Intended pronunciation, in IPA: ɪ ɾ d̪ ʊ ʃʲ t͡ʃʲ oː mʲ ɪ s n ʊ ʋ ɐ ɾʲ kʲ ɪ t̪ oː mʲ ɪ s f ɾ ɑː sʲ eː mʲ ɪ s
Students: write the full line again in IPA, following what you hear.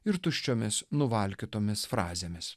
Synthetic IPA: ɪ ɾ t̪ ʊ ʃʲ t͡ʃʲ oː mʲ ɪ s n ʊ ʋ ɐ lʲ kʲ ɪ t̪ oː mʲ ɪ s f ɾ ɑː zʲ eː mʲ ɪ s